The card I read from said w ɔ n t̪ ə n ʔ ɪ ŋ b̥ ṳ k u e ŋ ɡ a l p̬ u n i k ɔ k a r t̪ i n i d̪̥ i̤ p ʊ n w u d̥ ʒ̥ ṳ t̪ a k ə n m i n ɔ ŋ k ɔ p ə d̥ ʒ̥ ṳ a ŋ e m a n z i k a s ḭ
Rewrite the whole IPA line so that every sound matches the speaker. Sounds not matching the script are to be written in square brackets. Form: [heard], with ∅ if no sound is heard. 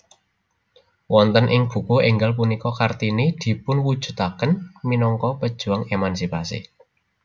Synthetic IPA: w ɔ n t̪ ə n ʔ ɪ ŋ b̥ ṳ k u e ŋ ɡ a l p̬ u n i k ɔ k a r t̪ i n i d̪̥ i̤ p ʊ n w u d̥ ʒ̥ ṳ t̪ a k ə n m i n ɔ ŋ k ɔ p ə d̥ ʒ̥ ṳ a ŋ e m a n [s] i [p] a s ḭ

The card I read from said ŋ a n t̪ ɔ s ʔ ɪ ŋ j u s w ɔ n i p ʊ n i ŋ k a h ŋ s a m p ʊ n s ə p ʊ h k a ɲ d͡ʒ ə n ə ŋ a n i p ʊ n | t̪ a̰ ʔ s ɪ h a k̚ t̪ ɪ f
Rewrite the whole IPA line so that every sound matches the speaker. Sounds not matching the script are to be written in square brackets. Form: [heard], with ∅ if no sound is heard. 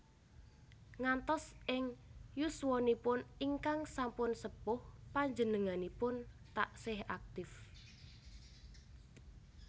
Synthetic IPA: ŋ a n t̪ ɔ s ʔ ɪ ŋ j u s w ɔ n i p ʊ n i ŋ k a [∅] ŋ s a m p ʊ n s ə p ʊ h [p] a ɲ d͡ʒ ə n ə ŋ a n i p ʊ n | t̪ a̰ ʔ s ɪ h a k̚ t̪ ɪ f

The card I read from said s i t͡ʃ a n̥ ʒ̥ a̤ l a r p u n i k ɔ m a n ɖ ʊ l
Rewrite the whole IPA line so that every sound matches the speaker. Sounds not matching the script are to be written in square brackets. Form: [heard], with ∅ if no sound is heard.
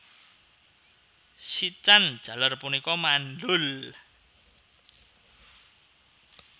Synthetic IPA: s i t͡ʃ a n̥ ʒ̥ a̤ l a r p u n i k ɔ m a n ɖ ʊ l

